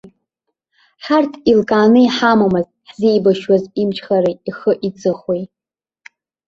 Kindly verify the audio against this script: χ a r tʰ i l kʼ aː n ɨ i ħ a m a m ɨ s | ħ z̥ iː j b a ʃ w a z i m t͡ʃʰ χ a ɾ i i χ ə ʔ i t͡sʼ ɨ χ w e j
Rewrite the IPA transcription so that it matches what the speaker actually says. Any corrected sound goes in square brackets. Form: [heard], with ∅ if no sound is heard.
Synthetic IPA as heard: [ħ] a r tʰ i l kʼ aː n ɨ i ħ a m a m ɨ [z] | ħ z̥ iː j b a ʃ w a z i m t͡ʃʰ χ a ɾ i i χ ə ʔ i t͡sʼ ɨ χ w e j